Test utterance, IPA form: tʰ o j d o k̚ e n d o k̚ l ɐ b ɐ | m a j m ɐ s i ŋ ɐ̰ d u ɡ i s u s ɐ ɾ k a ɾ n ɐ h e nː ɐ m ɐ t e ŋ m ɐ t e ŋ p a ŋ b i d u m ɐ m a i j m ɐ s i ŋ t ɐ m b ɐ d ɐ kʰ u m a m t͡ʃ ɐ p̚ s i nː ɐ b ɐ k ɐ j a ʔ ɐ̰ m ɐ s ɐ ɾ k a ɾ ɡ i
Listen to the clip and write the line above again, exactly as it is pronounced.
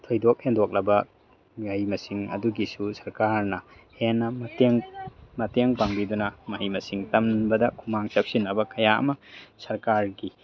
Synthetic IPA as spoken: tʰ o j d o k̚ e n d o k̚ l ɐ b ɐ | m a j m ɐ s i ŋ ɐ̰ d u ɡ i s u s ɐ ɾ k a ɾ n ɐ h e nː ɐ m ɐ t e ŋ m ɐ t e ŋ p a ŋ b i d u n ɐ m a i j m ɐ s i ŋ t ɐ m b ɐ d ɐ kʰ u m a ŋ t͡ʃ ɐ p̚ s i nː ɐ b ɐ k ɐ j a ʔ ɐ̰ m ɐ s ɐ ɾ k a ɾ ɡ i